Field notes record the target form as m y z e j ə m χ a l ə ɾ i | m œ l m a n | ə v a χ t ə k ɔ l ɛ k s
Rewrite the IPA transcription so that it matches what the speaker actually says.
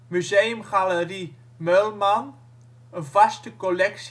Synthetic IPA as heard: m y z e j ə m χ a l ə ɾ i | m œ l m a n | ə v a s t ə k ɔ l ɛ k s